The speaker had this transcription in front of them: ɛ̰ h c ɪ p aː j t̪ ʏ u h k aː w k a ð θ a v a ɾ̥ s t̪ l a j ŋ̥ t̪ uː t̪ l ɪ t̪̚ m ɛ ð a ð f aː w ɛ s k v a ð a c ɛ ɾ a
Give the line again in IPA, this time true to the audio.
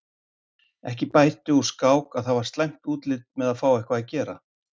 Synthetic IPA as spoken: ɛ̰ h c ɪ p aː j t̪ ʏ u s k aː w k a ð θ a v a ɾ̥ s t̪ l a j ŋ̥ t̪ uː t̪ l ɪ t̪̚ m ɛ ð a ð f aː w ɛ h k v a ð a c ɛː ɾ a